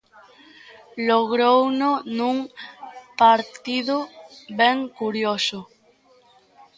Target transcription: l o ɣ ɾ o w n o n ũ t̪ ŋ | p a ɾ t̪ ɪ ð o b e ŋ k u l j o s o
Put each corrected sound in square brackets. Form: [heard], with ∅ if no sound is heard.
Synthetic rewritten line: l o ɣ ɾ o w n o n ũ [∅] ŋ | p a ɾ t̪ [i] ð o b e ŋ k u [ɾ] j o s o